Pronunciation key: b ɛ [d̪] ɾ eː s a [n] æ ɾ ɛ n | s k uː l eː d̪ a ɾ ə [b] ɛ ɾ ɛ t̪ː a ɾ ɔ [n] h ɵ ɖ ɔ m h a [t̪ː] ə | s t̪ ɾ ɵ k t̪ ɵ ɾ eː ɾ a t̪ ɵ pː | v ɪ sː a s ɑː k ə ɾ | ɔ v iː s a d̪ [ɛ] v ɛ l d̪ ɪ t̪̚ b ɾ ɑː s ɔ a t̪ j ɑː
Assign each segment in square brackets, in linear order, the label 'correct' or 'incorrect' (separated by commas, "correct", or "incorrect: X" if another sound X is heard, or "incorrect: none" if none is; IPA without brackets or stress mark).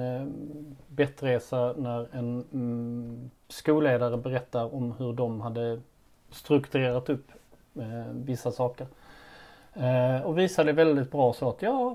incorrect: t̪, correct, correct, incorrect: m, incorrect: d̪ː, correct